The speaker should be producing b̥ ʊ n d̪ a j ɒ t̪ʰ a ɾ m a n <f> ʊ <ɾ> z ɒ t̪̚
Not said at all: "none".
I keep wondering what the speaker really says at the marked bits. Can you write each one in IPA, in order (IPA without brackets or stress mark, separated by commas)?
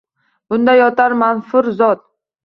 f, ɾ